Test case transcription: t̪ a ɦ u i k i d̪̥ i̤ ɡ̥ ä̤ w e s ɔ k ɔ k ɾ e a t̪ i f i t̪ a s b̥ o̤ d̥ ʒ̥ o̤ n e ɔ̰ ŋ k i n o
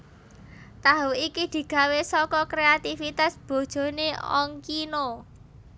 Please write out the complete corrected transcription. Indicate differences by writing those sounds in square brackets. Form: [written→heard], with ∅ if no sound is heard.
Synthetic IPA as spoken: t̪ a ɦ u i k i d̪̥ i̤ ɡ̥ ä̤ w e s ɔ k ɔ k ɾ e a t̪ i f i t̪ a s b̥ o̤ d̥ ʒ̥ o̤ n e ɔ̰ ŋ k i n o